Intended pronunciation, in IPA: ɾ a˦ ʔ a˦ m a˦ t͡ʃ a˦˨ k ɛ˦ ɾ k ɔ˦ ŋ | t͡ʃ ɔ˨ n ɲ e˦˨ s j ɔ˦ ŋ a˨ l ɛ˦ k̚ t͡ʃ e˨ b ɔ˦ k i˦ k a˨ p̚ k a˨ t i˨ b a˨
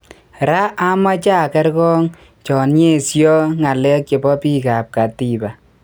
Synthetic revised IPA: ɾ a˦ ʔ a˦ m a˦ t͡ʃ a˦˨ k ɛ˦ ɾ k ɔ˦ ŋ | t͡ʃ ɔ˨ n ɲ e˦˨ s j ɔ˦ ŋ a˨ l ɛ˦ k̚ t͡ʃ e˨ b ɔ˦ p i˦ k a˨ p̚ k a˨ t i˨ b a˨